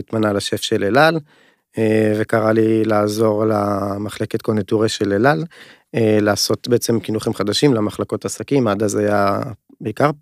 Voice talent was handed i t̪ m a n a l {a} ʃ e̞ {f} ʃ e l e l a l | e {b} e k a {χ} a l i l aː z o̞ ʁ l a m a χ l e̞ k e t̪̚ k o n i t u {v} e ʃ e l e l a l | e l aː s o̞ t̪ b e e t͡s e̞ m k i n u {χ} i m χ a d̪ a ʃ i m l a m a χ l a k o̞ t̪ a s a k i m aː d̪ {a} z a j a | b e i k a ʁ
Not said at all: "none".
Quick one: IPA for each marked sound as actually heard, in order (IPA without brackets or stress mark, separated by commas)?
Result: a, f, v, ʁ, ʁ, χ, a